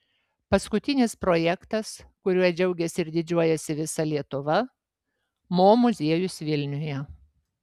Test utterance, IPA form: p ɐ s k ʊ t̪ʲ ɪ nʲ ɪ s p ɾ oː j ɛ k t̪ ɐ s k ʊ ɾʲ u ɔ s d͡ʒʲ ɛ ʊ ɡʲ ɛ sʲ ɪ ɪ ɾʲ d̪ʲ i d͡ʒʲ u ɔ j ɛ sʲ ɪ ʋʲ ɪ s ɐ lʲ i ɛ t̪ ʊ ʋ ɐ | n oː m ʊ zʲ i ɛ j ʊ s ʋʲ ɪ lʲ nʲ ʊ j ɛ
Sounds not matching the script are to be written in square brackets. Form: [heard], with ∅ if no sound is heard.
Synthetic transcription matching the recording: p ɐ s k ʊ t̪ʲ ɪ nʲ ɪ s p ɾ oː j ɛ k t̪ ɐ s k ʊ ɾʲ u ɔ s d͡ʒʲ ɛ ʊ ɡʲ ɛ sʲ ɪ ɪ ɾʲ d̪ʲ [ɪ] d͡ʒʲ u ɔ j ɛ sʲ ɪ ʋʲ ɪ s ɐ lʲ i ɛ t̪ ʊ ʋ ɐ | [m] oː m ʊ zʲ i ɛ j ʊ s ʋʲ ɪ lʲ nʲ ʊ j ɛ